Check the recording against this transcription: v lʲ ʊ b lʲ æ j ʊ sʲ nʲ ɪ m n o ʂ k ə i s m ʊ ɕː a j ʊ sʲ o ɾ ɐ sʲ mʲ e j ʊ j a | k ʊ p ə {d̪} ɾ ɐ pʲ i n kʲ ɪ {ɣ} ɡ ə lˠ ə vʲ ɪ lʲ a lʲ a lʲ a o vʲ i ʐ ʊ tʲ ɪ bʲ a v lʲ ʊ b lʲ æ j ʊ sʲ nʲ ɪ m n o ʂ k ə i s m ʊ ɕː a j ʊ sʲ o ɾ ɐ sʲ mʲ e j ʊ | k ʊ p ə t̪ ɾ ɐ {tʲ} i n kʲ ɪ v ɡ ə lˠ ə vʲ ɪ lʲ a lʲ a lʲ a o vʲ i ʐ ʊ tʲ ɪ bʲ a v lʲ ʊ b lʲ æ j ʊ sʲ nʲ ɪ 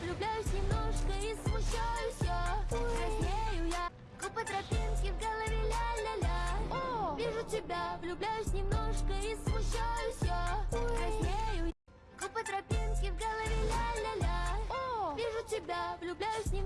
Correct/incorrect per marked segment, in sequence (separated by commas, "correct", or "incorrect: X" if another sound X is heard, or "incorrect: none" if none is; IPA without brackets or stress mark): incorrect: t̪, incorrect: v, incorrect: pʲ